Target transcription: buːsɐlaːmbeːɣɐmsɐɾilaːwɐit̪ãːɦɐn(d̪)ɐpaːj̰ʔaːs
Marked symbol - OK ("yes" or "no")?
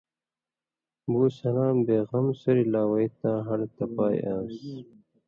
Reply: no